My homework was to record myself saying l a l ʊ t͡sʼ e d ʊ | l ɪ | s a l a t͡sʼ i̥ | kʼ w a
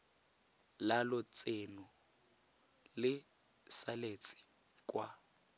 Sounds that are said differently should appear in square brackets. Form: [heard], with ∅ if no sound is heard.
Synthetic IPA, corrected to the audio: l a l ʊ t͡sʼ e [n] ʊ | l ɪ | s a l [e] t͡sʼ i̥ | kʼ w a